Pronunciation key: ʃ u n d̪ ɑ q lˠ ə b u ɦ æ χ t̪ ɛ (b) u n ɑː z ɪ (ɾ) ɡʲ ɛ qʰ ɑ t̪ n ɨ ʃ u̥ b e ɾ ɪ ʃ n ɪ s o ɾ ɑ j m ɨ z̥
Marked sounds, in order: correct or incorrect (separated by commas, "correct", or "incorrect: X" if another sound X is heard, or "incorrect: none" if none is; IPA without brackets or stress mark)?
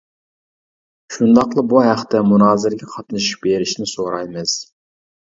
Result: incorrect: m, correct